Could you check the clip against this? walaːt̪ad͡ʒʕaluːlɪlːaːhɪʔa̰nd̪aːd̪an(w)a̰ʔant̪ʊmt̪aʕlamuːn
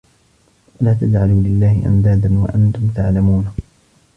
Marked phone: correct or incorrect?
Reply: correct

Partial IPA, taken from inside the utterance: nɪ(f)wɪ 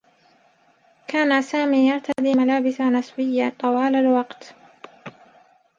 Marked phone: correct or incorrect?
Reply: incorrect: s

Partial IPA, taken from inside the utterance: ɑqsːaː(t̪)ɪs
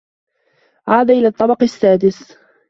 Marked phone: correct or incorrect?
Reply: incorrect: d̪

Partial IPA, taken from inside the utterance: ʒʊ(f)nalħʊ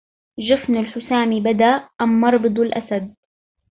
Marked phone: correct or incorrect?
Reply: correct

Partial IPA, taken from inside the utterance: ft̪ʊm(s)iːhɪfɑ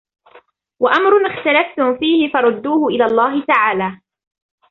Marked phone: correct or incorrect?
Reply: incorrect: f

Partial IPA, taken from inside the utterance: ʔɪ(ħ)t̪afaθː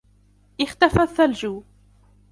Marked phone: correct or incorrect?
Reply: incorrect: x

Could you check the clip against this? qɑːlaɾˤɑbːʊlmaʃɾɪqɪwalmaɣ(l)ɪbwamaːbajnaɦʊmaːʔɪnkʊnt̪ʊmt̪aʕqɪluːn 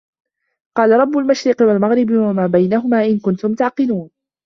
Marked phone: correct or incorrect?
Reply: incorrect: ɾ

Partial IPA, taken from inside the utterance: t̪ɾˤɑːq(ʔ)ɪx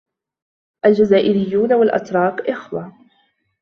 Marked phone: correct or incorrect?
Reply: correct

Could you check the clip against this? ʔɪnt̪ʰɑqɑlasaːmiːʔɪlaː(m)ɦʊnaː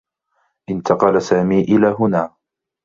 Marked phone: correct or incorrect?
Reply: incorrect: none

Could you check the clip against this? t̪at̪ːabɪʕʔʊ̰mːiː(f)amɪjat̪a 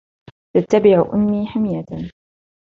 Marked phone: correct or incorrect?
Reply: incorrect: ħ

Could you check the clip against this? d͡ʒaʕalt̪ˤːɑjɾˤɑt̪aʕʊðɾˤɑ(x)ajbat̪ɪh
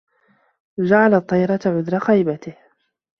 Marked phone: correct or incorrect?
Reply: correct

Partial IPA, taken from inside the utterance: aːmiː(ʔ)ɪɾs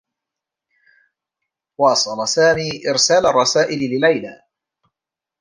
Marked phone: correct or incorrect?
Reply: correct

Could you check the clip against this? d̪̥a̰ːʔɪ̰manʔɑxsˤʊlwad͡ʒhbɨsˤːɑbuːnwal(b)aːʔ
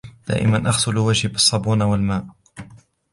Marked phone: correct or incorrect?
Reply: incorrect: m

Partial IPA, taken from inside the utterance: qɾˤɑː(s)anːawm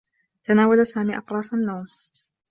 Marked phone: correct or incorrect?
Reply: correct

